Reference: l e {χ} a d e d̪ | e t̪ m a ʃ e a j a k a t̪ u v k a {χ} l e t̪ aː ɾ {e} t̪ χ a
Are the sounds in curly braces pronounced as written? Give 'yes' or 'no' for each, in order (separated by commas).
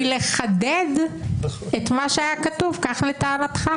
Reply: yes, yes, no